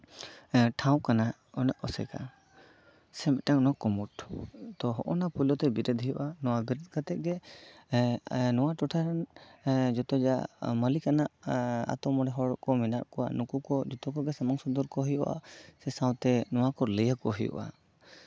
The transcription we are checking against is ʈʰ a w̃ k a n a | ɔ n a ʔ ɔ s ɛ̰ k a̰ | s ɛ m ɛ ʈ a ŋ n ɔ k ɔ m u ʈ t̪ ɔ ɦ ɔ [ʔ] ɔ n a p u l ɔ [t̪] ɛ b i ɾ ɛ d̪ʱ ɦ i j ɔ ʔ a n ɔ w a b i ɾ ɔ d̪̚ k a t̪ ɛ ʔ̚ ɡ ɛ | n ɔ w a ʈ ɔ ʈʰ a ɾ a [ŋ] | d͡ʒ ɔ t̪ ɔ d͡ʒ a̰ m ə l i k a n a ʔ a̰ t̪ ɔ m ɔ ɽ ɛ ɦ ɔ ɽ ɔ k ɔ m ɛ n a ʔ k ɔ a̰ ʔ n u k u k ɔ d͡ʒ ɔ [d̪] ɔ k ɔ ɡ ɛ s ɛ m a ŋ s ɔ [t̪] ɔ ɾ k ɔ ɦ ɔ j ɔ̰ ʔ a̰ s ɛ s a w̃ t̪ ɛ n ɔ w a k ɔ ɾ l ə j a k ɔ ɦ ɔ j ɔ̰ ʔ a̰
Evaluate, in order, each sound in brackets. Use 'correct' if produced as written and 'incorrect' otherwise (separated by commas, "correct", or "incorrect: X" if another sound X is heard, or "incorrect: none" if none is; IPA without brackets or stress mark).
correct, correct, incorrect: n, incorrect: t̪, incorrect: d̪